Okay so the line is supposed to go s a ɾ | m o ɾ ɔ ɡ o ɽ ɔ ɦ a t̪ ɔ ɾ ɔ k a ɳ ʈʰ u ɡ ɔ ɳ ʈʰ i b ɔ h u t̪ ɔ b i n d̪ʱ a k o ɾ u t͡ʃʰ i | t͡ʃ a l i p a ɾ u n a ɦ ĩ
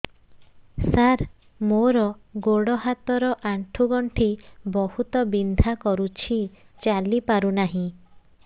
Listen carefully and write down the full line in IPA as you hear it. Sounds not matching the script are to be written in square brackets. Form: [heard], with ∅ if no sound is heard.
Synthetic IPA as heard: s a ɾ | m o ɾ ɔ ɡ o ɽ ɔ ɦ a t̪ ɔ ɾ ɔ [ʔ] a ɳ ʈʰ u ɡ ɔ ɳ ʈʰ i b ɔ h u t̪ ɔ b i n d̪ʱ a k [ɔ] ɾ u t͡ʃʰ i | t͡ʃ a l i p a ɾ u n a ɦ ĩ